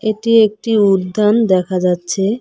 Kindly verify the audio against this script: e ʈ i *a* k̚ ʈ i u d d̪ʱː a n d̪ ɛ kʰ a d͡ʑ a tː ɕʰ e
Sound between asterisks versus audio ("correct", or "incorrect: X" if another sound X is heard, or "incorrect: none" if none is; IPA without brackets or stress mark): incorrect: e